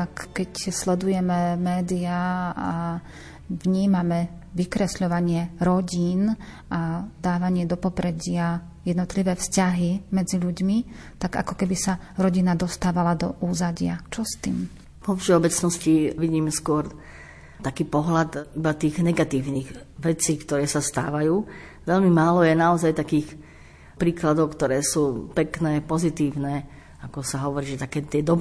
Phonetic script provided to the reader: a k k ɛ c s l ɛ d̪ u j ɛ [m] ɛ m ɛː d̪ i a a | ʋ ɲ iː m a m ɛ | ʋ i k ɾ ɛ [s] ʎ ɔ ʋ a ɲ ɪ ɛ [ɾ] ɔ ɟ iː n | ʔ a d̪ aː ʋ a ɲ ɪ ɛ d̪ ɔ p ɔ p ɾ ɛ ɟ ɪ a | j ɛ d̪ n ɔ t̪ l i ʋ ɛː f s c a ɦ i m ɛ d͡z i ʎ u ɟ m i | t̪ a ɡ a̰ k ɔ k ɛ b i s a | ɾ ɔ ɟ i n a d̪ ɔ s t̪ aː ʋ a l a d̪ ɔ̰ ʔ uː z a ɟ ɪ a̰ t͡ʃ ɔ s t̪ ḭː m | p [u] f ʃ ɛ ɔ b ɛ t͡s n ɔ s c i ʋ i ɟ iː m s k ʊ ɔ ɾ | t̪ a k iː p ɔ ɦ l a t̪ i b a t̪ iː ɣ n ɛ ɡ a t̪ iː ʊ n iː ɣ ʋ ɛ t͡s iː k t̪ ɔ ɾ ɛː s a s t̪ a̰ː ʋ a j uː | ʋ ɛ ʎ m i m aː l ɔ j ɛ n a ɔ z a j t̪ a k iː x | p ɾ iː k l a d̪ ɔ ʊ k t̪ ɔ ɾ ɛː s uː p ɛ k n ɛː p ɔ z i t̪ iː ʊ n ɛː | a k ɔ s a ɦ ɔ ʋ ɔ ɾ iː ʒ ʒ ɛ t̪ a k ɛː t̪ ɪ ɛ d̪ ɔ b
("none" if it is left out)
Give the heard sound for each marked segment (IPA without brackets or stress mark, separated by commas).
m, s, ɾ, ɔ